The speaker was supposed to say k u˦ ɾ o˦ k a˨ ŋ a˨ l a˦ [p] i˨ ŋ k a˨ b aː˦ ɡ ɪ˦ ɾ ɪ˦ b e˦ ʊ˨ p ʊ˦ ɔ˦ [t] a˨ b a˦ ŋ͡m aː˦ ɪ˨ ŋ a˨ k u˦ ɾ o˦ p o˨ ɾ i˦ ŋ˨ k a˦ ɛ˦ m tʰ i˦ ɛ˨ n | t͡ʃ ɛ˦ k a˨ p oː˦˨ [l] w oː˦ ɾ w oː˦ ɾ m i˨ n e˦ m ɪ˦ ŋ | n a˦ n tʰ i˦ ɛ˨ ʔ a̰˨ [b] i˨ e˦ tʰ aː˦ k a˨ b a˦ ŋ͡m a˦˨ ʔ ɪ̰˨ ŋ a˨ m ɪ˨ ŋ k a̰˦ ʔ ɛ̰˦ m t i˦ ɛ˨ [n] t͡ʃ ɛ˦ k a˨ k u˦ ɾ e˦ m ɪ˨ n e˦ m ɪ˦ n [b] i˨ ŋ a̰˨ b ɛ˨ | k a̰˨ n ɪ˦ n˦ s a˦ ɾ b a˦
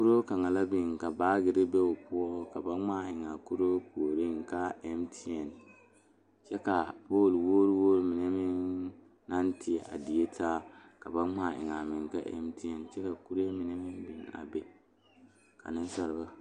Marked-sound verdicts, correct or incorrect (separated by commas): incorrect, incorrect, correct, incorrect, correct, correct